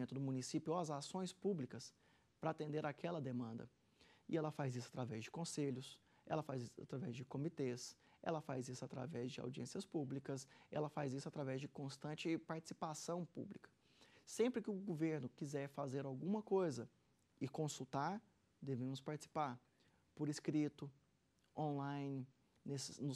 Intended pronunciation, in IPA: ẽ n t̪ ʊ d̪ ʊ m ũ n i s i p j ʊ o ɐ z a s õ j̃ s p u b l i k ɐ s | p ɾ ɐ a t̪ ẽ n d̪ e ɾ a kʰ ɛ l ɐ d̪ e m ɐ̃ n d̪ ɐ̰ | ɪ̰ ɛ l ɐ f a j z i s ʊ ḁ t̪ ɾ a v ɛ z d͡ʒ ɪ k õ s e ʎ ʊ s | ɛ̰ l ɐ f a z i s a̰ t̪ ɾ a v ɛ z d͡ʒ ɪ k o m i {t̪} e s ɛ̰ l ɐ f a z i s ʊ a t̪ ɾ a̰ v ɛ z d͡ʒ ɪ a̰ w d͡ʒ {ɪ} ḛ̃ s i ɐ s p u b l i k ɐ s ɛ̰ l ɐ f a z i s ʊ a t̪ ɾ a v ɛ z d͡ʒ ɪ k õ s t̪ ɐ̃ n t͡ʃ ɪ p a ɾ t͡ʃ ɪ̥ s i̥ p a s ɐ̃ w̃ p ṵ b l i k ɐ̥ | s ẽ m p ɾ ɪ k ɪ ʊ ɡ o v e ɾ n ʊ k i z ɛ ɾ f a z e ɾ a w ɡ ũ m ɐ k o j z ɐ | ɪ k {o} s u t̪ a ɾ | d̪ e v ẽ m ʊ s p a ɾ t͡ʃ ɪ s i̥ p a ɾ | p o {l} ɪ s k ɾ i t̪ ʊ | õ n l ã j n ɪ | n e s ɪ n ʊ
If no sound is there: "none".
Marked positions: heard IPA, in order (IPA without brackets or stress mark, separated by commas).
t̪, i, õ, ɾ